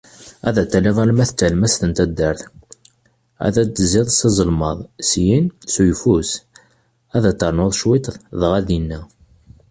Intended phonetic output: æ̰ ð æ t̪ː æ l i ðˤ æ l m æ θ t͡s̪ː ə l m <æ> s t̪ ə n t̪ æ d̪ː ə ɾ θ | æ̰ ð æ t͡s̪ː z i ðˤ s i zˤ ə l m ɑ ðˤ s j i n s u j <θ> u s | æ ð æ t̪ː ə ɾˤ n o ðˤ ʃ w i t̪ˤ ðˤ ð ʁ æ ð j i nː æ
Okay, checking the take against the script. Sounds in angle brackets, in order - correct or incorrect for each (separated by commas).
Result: correct, incorrect